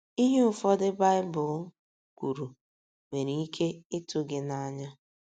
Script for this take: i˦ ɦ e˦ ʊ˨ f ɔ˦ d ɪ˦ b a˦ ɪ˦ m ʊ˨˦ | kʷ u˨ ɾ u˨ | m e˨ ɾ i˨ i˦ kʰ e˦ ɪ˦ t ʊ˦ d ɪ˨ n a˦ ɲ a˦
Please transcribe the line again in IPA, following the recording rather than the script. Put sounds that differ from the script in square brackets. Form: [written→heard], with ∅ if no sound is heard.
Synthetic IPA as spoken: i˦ ɦ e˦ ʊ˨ f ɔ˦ d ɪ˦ b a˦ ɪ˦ [m→b] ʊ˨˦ | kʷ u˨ ɾ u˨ | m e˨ ɾ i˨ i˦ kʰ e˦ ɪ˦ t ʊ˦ [d→ɡ] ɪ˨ n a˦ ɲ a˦